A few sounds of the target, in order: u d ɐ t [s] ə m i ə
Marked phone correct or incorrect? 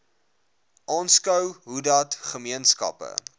incorrect